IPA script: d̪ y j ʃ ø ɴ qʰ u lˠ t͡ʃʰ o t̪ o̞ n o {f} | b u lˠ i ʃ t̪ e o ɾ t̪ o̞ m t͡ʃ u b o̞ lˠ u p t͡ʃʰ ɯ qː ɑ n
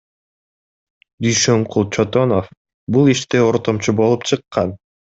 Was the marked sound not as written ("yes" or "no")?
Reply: no